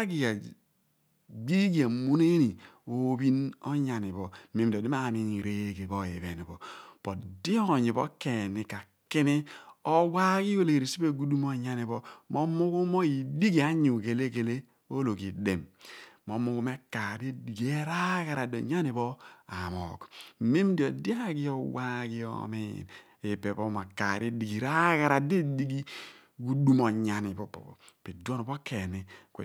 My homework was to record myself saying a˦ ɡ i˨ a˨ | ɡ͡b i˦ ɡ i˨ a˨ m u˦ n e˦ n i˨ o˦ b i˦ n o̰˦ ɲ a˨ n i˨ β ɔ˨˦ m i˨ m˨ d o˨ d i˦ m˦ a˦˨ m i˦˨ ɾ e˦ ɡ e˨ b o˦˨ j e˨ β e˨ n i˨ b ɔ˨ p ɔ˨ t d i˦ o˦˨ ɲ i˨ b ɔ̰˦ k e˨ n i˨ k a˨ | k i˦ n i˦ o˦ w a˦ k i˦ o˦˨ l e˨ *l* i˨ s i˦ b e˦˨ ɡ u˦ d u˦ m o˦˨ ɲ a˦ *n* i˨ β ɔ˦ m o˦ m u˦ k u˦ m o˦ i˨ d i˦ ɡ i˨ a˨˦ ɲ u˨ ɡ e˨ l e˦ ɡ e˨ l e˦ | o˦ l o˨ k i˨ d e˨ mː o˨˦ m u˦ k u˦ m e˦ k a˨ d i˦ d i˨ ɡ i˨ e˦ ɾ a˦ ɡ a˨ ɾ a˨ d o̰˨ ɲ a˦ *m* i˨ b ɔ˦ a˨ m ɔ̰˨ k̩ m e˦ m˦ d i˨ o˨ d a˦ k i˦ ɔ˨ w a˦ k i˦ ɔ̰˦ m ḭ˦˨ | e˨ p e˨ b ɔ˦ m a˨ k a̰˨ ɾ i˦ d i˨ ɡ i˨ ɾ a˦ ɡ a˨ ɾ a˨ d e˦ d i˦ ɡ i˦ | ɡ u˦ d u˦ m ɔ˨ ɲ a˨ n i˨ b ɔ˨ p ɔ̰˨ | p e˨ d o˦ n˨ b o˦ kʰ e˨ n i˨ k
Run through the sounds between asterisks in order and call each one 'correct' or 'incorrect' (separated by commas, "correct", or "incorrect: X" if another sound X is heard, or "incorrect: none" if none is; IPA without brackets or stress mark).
incorrect: ɾ, correct, incorrect: n